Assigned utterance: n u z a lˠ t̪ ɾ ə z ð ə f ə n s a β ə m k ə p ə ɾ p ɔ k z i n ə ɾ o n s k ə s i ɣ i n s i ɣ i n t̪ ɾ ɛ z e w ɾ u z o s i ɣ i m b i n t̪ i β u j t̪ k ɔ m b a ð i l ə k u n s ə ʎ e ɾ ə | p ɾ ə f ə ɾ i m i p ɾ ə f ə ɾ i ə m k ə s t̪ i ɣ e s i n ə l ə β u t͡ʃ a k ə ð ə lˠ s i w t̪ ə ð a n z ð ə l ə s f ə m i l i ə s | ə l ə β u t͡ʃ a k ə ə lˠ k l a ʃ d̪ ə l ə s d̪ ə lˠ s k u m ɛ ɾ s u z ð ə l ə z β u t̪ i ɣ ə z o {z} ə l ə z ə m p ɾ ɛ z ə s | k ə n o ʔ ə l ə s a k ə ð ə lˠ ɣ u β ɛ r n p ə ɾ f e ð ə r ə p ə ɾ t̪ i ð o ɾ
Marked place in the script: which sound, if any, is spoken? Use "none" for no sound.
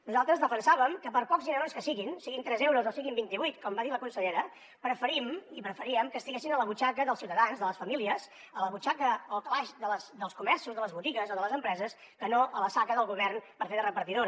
ð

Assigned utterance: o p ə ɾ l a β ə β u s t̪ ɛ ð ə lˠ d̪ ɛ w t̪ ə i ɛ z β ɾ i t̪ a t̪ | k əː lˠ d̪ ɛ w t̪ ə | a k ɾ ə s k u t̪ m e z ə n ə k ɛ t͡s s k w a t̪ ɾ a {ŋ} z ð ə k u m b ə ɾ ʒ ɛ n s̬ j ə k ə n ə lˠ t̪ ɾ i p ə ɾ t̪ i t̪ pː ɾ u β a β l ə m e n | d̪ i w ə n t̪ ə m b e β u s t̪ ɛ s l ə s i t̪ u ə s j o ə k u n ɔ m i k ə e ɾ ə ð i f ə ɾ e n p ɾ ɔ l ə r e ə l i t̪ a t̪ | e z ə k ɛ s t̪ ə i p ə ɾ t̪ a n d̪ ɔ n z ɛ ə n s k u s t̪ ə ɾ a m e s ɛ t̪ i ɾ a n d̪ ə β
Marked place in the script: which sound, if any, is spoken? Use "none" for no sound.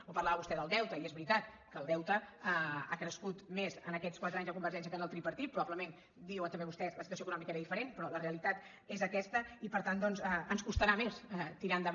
ɲ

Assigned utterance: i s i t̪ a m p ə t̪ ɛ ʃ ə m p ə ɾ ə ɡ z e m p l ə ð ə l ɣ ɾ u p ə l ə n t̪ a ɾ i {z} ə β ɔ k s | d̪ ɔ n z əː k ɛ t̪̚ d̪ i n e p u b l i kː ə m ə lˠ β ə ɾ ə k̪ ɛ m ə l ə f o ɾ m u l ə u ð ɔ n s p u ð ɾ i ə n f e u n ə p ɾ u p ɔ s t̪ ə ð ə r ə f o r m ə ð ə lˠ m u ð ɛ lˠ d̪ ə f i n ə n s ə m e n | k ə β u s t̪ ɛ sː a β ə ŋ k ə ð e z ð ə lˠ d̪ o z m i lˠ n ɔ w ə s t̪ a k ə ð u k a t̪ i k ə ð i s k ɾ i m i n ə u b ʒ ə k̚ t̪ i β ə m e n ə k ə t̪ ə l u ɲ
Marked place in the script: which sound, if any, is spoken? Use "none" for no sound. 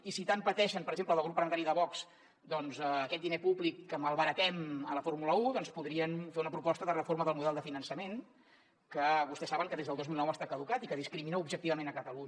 ð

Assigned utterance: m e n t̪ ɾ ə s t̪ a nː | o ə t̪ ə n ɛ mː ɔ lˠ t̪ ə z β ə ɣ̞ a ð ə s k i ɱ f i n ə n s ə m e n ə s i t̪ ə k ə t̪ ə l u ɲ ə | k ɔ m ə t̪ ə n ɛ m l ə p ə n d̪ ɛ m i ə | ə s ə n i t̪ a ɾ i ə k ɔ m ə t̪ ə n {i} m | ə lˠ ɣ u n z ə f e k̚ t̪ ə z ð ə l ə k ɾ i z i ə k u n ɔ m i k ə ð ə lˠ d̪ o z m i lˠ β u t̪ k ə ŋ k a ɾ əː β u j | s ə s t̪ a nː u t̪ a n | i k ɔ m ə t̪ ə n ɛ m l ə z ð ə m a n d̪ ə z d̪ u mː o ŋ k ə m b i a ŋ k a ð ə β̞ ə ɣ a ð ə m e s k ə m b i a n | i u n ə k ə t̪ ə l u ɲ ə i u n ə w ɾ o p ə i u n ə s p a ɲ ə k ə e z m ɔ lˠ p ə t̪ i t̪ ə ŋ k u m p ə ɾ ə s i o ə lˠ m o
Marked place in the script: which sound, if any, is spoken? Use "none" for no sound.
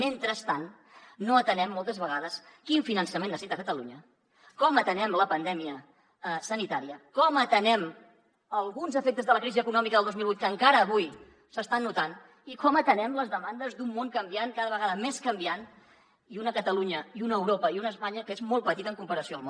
ɛ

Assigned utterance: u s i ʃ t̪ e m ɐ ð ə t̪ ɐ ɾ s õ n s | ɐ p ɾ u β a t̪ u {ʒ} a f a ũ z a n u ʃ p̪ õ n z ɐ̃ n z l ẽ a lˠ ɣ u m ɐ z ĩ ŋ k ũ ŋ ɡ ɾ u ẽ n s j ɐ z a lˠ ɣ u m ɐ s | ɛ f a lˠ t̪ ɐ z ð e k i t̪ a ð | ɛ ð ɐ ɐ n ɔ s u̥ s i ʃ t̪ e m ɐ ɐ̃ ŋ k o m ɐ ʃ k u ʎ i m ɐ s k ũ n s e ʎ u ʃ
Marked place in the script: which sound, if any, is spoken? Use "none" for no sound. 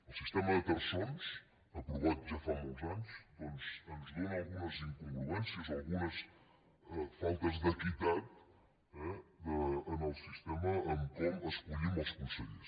ʒ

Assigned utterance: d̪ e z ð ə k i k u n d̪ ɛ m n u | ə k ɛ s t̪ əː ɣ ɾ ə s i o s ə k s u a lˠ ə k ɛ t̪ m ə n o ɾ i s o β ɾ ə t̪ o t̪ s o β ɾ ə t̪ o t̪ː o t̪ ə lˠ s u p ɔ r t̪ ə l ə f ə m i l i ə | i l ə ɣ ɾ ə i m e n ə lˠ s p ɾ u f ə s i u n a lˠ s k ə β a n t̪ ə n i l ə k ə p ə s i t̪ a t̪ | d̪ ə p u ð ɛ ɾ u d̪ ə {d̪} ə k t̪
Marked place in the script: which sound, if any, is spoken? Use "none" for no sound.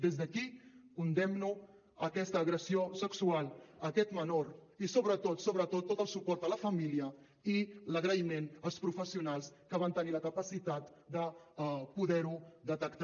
t̪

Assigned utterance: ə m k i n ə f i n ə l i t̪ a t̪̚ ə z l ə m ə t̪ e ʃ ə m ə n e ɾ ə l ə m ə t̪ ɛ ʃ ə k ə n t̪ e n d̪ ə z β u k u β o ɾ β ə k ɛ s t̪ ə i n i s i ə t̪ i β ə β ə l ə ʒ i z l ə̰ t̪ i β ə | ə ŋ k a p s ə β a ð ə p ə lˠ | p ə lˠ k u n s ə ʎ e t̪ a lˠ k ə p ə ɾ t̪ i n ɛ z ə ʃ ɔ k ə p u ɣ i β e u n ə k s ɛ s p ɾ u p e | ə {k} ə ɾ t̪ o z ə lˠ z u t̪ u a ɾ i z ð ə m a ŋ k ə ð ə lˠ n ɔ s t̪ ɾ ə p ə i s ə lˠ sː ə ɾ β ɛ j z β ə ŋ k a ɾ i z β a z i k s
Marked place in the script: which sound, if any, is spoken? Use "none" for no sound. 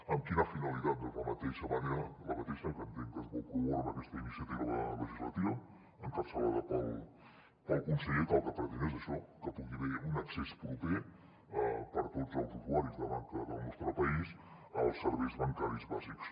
p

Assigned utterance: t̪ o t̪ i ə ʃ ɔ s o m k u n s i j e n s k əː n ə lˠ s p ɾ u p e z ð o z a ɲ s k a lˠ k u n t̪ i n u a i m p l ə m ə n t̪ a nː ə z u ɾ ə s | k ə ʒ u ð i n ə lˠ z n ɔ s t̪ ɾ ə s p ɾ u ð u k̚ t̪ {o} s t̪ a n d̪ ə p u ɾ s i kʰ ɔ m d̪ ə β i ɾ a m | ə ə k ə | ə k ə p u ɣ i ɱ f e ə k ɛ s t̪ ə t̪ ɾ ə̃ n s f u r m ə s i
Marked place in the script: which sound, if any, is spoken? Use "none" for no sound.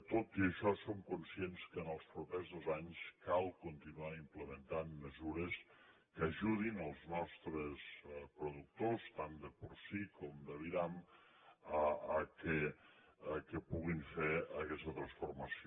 o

